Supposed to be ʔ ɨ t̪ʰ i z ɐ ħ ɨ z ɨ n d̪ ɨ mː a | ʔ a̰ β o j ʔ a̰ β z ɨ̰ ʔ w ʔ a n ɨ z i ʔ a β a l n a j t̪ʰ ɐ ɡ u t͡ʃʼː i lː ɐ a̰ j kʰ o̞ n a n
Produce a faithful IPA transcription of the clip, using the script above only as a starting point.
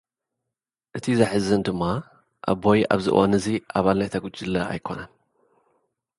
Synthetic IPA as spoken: ʔ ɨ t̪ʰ i z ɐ ħ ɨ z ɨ n d̪ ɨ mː a | ʔ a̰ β o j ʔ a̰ β z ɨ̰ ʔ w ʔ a n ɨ z i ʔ a β a l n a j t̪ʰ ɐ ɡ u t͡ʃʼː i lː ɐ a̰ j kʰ o̞ n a n